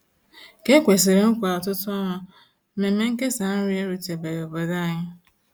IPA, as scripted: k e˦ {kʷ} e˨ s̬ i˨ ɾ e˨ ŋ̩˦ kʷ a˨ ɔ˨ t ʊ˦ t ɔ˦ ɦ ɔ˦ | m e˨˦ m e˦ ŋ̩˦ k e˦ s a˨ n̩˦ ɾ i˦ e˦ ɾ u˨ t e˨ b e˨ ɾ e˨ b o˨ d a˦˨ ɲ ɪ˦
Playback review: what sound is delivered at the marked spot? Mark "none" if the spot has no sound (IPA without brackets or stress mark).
kʷ